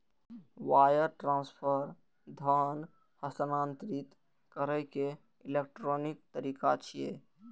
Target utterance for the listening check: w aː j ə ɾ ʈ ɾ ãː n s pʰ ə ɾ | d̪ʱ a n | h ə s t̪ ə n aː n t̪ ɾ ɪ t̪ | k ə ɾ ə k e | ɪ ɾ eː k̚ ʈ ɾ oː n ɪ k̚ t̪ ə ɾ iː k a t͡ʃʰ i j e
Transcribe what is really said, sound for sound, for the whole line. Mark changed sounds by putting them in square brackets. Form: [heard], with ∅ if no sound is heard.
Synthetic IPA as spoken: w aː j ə ɾ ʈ ɾ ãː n s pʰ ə ɾ | d̪ʱ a n | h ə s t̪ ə n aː n t̪ ɾ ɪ t̪ | k ə ɾ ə k e | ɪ [l] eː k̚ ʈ ɾ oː n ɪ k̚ t̪ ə ɾ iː k a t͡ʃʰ i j e

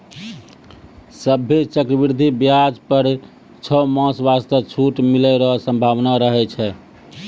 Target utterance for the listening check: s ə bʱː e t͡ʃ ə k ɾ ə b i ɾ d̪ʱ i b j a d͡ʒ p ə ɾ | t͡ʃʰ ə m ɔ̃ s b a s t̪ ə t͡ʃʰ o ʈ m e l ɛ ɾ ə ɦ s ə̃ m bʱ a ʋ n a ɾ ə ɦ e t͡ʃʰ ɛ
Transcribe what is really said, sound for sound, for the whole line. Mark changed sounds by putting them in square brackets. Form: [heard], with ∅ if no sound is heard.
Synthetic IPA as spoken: s ə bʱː e t͡ʃ ə k ɾ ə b i ɾ d̪ʱ i b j a d͡ʒ p ə ɾ | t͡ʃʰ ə m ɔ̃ s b a s t̪ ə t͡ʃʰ [u] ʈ m [i] l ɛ ɾ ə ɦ s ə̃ m bʱ a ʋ n a ɾ ə ɦ [ɛ] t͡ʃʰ ɛ

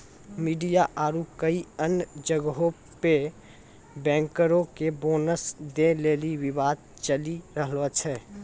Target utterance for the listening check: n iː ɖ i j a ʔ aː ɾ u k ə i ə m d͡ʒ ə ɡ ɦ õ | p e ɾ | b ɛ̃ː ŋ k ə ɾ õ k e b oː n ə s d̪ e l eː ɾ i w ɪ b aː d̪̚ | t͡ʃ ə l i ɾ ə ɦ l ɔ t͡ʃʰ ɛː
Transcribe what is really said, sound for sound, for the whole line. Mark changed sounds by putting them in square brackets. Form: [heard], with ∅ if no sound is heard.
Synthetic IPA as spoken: [m] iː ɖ i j a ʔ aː ɾ u k ə i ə [n] d͡ʒ ə ɡ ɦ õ | p e [∅] | b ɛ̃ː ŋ k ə ɾ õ k e b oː n ə s d̪ e l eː [l] i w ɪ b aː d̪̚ | t͡ʃ ə l i ɾ ə ɦ l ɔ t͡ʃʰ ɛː

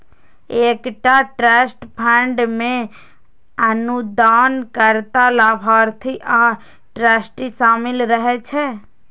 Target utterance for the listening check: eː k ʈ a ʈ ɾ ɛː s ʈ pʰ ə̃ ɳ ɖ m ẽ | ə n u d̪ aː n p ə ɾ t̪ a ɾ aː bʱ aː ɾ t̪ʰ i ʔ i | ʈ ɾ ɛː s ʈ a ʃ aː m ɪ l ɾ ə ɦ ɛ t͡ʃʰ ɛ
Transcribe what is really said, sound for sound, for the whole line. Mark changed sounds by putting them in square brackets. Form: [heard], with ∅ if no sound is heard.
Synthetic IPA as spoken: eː k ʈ a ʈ ɾ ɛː s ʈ pʰ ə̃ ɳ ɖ m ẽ | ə n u d̪ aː n [k] ə ɾ t̪ a [l] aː bʱ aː ɾ t̪ʰ i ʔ [a] | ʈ ɾ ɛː s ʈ [i] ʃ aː m ɪ l ɾ ə ɦ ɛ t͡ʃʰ ɛ

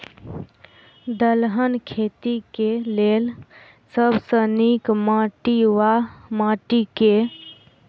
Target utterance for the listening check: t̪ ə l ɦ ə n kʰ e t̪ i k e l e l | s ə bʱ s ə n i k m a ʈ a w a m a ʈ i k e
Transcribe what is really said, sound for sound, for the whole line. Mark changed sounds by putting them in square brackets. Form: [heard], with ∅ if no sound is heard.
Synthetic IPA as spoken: [d̪] ə l ɦ ə n kʰ e t̪ i k e l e l | s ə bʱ s ə n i k m a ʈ [i] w a m a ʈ i k e

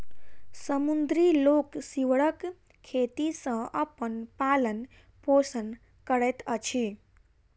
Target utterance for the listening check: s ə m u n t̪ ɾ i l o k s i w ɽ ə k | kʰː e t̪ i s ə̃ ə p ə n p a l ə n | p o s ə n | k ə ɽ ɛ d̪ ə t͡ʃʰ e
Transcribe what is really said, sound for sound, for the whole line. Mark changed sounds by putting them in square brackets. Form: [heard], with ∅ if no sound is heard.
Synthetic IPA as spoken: s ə m u n [d̪] ɾ i l o k s i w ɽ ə k | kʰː e t̪ i s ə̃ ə p ə n p a l ə n | p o s ə n | k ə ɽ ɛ [t̪] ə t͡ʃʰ [i]

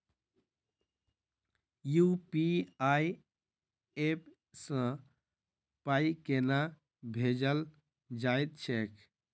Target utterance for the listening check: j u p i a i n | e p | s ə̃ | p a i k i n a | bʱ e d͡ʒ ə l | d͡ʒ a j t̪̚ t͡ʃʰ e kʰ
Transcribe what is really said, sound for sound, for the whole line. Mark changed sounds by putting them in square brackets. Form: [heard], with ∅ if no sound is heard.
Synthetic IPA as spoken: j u p i a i [∅] | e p | s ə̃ | p a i k [e] n a | bʱ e d͡ʒ ə l | d͡ʒ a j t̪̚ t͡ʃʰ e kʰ

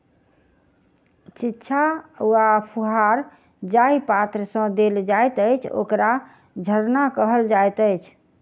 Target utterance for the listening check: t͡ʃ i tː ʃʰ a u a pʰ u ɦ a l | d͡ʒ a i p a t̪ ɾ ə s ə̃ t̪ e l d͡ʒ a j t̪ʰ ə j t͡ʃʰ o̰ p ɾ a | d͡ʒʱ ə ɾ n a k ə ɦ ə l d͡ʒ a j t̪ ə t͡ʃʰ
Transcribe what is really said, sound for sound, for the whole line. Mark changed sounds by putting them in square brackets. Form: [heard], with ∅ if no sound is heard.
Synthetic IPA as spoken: t͡ʃ i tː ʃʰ a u a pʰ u ɦ a [ɾ] | d͡ʒ a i p a t̪ ɾ ə s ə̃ [d̪] e l d͡ʒ a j [t̪] ə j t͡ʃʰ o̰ [k] ɾ a | d͡ʒʱ ə ɾ n a k ə ɦ ə l d͡ʒ a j t̪ ə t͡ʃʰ

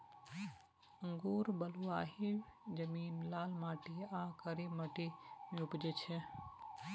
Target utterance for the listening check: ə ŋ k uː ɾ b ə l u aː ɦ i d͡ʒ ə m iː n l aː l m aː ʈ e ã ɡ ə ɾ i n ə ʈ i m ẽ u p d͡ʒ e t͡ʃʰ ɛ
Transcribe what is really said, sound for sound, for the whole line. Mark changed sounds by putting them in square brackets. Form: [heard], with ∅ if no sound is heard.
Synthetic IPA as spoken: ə ŋ [ɡ] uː ɾ b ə l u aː ɦ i d͡ʒ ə m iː n l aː l m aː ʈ [i] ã [k] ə ɾ i [m] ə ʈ i m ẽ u p d͡ʒ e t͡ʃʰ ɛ

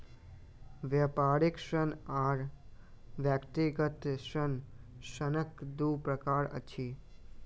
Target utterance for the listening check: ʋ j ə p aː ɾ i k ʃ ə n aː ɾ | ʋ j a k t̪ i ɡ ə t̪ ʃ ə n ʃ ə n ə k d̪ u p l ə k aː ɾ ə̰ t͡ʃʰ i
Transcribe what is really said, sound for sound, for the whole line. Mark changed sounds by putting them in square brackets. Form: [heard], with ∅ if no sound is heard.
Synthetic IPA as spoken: ʋ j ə p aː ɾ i k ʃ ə n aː ɾ | ʋ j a k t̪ i ɡ ə t̪ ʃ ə n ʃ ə n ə k d̪ u p [ɾ] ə k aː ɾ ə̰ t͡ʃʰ i

